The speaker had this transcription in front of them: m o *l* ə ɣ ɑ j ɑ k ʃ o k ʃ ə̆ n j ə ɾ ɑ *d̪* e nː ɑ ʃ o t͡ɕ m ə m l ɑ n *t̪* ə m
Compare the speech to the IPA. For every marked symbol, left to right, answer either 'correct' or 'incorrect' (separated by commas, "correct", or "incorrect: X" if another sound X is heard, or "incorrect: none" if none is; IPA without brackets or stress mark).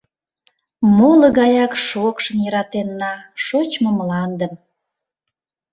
correct, incorrect: t̪, incorrect: d̪